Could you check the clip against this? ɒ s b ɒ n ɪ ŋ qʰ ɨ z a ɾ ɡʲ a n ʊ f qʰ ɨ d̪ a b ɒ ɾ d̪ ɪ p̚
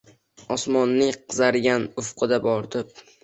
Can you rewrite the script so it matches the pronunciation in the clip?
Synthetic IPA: ɒ s m ɒ nː ɪ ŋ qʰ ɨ z a ɾ ɡʲ a n ʊ f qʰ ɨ d̪ a b ɒ ɾ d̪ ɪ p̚

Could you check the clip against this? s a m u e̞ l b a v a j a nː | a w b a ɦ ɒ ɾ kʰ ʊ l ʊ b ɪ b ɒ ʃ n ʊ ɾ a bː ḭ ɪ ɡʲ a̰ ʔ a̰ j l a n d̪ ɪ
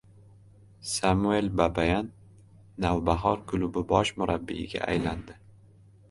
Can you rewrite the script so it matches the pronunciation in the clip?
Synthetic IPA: s a m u e̞ l b a b a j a nː | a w b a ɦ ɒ ɾ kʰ ʊ l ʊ b ɪ b ɒ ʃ m ʊ ɾ a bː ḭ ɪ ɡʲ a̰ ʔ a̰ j l a n d̪ ɪ

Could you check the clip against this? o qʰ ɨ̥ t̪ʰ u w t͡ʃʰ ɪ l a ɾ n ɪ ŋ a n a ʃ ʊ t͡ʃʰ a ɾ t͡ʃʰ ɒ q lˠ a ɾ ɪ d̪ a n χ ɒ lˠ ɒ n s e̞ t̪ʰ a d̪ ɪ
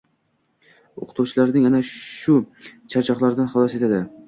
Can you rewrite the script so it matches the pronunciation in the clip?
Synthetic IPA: o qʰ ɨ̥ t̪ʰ u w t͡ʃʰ ɪ l a ɾ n ɪ ŋ a n a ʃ ʊ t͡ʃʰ a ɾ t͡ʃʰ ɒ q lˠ a ɾ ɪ d̪ a n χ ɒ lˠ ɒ s e̞ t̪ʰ a d̪ ɪ

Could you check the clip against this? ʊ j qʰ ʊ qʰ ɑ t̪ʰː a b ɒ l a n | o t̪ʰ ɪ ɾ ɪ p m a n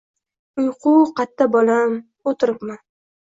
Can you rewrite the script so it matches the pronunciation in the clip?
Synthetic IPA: ʊ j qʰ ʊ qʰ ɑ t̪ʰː a b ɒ l a m | o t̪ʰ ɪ ɾ ɪ p m a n

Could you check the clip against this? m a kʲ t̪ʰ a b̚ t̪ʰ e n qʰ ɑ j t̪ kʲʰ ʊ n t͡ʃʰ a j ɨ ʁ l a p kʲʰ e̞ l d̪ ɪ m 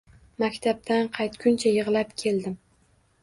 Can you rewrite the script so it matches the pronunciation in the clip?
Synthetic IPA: m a kʲ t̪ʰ a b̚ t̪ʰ a n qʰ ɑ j t̪ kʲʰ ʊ n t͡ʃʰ a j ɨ ʁ l a p kʲʰ e̞ l d̪ ɪ m

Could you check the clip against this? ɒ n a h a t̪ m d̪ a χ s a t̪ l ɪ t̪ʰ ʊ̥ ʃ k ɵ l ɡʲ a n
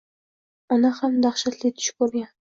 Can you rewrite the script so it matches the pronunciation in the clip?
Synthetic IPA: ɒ n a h a m d̪ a χ ʃ a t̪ l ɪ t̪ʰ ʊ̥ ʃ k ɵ ɾ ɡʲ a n

